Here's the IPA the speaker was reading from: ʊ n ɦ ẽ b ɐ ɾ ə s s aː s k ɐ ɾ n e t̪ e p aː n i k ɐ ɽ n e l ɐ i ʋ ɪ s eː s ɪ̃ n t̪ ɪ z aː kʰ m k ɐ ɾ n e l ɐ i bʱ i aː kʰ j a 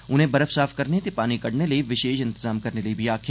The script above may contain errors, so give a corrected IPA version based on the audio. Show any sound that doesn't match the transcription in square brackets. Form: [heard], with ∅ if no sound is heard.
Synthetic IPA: ʊ n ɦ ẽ b ɐ ɾ ə [f] s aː [f] k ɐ ɾ n e t̪ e p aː n i k ɐ ɽ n e l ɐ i ʋ ɪ [ʃ] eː [ʃ] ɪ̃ n t̪ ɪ z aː [∅] m k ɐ ɾ n e l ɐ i bʱ i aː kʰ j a

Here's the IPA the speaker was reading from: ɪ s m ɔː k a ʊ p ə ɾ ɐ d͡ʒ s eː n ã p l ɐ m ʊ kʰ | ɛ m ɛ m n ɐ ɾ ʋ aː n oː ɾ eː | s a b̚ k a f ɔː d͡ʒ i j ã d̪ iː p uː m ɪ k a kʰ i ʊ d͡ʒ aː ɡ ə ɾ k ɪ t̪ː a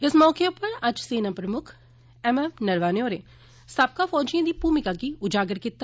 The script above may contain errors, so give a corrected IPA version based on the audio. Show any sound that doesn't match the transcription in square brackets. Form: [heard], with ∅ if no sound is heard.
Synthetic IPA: ɪ s m ɔː k [e] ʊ p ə ɾ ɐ d͡ʒ s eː n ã p [ɾ] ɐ m ʊ kʰ | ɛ m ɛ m n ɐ ɾ ʋ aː n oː ɾ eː | s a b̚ k a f ɔː d͡ʒ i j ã d̪ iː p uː m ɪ k a [k] i ʊ d͡ʒ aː ɡ ə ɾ k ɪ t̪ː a

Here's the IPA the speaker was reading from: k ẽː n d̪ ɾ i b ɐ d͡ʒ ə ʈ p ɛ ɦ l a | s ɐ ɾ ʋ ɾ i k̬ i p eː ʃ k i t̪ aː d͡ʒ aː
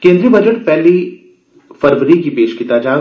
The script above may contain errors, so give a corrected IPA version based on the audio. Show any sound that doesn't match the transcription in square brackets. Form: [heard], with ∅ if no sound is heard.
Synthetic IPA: k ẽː n d̪ ɾ i b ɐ d͡ʒ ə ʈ p ɛ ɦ l [i] | [f] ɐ ɾ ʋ ɾ i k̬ i p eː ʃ k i t̪ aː d͡ʒ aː

